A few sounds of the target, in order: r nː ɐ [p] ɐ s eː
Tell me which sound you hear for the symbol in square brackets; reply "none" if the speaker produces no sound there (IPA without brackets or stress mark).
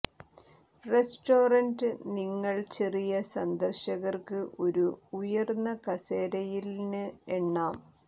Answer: k